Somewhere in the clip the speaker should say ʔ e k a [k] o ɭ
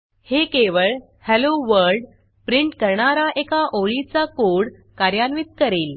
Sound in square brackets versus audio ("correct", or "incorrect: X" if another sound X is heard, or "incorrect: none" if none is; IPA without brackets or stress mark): incorrect: ʔ